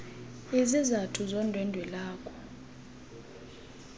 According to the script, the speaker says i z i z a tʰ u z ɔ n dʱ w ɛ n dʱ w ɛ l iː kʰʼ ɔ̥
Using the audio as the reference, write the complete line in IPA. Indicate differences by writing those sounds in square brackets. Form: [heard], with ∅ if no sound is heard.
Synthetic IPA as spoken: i z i z a tʰ u z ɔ n dʱ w ɛ n dʱ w ɛ l [aː] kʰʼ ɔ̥